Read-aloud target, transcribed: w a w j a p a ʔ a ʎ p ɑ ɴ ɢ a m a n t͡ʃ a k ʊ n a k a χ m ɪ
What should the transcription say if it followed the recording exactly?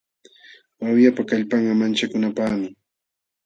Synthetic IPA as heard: w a w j a p a k a ʎ p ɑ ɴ ɢ ɑ m a n t͡ʃ a k ʊ n a p a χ m ɪ